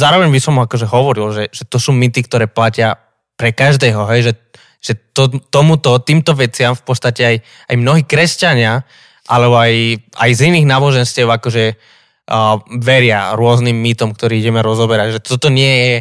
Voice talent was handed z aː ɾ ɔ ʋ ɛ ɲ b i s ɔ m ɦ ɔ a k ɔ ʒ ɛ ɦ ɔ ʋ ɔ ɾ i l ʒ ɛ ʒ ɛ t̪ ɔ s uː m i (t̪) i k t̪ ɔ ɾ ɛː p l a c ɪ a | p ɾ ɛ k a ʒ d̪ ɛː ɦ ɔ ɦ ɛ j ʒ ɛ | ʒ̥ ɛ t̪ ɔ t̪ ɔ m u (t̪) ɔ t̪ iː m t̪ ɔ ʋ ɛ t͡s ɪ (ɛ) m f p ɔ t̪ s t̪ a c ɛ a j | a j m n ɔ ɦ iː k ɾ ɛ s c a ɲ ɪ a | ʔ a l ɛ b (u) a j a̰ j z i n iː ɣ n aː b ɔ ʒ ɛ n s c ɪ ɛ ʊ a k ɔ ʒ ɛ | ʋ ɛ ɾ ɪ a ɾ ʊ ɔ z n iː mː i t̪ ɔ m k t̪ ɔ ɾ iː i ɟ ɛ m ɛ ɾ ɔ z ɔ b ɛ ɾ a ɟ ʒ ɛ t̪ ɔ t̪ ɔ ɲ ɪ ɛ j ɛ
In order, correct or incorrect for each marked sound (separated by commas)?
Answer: correct, correct, incorrect, incorrect